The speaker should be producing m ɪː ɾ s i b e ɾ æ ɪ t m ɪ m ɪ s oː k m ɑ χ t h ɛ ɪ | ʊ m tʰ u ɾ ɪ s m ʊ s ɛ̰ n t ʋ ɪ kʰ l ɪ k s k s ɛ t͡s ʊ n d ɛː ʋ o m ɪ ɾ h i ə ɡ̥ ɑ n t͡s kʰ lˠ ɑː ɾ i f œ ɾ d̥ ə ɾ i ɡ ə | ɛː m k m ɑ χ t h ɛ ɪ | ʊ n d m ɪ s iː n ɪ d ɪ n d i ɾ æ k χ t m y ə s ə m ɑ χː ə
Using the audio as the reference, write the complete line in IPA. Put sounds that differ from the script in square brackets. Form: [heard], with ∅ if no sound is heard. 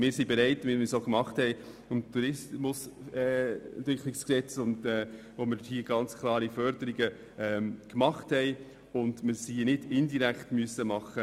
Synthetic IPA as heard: m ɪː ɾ s i b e ɾ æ ɪ t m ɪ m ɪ s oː k m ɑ χ t h ɛ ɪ | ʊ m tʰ u ɾ ɪ s m ʊ s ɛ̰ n t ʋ ɪ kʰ l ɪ k s k s ɛ t͡s ʊ n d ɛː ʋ o m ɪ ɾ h i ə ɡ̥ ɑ n t͡s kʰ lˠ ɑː ɾ i f œ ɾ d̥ ə ɾ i ɡ ə | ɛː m k m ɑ χ t h ɛ ɪ | ʊ n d m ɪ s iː n ɪ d ɪ n d i ɾ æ k χ t m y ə s ə m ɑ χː ə